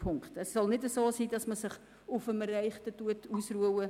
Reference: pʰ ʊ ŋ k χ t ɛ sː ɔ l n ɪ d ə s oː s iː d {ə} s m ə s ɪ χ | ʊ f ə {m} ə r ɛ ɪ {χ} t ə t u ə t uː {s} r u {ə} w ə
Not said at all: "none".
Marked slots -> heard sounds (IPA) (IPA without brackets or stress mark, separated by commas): ɑ, m, χ, s, ə